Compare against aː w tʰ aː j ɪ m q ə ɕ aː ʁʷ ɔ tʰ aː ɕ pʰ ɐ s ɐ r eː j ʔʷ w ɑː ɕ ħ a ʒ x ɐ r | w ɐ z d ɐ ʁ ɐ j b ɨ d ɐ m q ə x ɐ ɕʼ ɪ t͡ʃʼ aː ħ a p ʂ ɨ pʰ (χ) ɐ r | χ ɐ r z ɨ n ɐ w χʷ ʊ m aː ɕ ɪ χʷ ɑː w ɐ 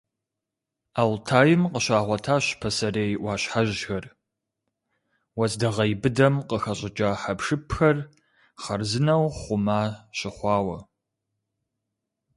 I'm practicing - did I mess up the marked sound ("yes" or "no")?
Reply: yes